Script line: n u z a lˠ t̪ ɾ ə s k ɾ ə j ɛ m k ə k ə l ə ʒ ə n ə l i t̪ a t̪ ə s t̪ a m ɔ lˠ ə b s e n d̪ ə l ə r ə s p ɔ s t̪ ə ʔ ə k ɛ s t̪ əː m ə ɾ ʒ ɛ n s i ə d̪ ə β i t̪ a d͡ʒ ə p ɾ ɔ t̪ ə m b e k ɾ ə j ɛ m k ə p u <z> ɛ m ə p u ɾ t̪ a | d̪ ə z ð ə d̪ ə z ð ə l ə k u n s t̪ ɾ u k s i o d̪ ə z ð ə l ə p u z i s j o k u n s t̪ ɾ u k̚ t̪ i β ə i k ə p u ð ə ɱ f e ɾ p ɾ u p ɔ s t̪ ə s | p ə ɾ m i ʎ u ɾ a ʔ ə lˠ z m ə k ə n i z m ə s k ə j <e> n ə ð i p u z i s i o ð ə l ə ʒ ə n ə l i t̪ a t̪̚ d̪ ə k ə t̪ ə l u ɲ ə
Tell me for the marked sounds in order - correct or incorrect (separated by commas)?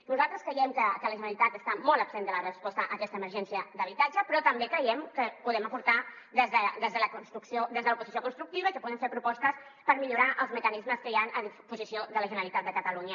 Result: incorrect, incorrect